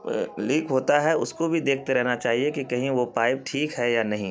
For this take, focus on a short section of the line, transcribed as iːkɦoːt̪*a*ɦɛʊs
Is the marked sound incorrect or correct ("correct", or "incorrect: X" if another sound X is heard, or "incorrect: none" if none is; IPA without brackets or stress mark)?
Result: correct